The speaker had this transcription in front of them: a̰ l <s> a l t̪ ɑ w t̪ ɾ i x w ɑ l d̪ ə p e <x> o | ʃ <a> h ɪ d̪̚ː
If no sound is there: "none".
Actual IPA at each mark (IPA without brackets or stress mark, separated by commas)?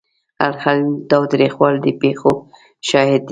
x, x, ɑ